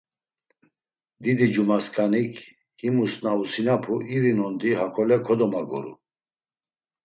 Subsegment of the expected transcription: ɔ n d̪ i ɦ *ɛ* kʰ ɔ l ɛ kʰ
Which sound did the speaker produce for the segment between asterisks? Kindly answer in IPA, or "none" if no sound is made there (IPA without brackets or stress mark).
a